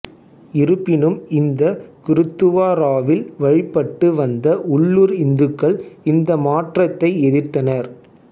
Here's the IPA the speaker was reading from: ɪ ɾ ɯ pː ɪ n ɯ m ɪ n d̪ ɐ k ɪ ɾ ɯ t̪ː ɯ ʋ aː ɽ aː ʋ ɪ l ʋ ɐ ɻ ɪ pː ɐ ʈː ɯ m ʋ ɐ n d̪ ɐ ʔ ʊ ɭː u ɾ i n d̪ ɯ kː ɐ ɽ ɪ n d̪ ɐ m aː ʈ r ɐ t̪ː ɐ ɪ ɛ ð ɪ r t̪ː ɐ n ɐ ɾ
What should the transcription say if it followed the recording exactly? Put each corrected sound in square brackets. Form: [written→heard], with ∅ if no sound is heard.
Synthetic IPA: ɪ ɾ ɯ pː ɪ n ɯ m ɪ n d̪ ɐ k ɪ ɾ ɯ t̪ː ɯ ʋ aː [ɽ→ɾ] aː ʋ ɪ l ʋ ɐ ɻ ɪ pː ɐ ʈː ɯ [m→∅] ʋ ɐ n d̪ ɐ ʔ ʊ ɭː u ɾ [i→ɪ] n d̪ ɯ kː ɐ [ɽ→ɭ] ɪ n d̪ ɐ m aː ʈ r ɐ t̪ː ɐ ɪ ɛ ð ɪ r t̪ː ɐ n ɐ ɾ